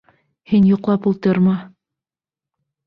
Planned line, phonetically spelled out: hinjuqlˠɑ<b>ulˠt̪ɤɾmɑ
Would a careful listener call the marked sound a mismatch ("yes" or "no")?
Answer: yes